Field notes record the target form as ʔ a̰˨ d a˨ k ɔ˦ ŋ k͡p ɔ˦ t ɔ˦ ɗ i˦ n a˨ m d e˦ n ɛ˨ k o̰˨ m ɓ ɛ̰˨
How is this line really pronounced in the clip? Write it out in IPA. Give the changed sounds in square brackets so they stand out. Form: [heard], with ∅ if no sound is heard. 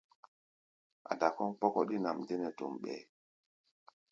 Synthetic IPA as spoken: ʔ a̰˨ d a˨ k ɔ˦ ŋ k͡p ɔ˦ [k] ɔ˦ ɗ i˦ n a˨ m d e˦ n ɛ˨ [t] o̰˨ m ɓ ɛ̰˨